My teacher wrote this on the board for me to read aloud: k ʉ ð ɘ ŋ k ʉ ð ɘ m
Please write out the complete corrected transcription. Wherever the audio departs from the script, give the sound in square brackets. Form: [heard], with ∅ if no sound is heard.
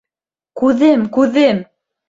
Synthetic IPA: k ʉ ð ɘ [m] k ʉ ð ɘ m